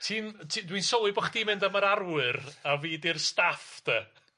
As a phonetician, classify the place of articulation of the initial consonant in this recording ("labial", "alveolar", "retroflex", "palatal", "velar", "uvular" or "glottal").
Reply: alveolar